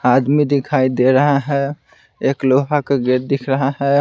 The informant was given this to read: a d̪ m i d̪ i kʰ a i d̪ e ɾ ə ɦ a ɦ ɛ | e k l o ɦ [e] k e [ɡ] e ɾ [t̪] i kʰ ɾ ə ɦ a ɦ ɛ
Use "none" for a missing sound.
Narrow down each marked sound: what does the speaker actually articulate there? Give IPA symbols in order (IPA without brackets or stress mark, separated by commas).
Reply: a, ɡ, d̪